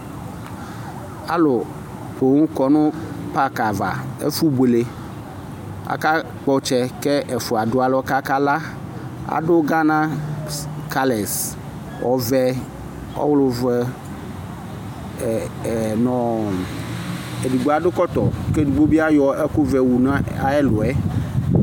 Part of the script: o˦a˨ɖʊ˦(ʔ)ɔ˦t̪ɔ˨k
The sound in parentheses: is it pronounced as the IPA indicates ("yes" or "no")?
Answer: no